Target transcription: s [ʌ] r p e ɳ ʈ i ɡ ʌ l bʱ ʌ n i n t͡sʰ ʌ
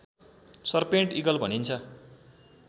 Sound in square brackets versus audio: correct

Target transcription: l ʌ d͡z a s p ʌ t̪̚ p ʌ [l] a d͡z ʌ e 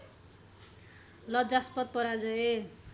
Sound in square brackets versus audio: incorrect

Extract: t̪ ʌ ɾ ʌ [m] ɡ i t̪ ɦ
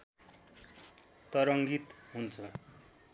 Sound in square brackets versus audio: incorrect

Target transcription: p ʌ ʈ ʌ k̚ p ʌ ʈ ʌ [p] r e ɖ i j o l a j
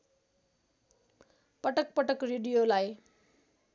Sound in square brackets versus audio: incorrect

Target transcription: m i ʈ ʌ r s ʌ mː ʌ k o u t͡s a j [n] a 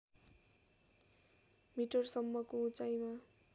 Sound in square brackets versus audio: incorrect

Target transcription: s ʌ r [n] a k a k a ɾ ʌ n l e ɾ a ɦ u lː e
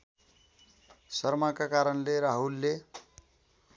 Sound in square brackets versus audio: incorrect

